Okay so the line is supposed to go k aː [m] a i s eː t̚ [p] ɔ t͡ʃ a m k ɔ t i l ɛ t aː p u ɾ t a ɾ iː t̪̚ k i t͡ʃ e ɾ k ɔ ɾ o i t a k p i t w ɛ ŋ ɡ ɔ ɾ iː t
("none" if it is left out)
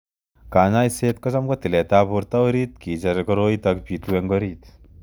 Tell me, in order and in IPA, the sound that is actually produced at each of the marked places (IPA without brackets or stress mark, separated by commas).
ɲ, k